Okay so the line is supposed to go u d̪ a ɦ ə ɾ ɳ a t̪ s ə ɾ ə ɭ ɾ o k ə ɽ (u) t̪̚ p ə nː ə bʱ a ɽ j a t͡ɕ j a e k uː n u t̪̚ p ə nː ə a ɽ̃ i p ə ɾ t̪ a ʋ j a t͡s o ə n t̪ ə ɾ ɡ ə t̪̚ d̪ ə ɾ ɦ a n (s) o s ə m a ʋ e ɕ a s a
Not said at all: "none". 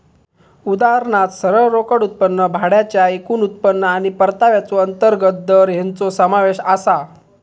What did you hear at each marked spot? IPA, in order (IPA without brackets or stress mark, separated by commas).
u, t͡s